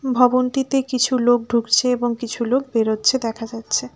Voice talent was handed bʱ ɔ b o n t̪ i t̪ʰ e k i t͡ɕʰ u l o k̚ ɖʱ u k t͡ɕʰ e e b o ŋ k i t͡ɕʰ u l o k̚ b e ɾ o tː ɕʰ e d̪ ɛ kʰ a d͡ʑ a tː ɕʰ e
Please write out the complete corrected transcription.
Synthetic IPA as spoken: bʱ ɔ b o n t̪ i t̪ e k i t͡ɕʰ u l o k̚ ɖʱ u k t͡ɕʰ e e b o ŋ k i t͡ɕʰ u l o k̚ b e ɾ o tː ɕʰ e d̪ ɛ kʰ a d͡ʑ a tː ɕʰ e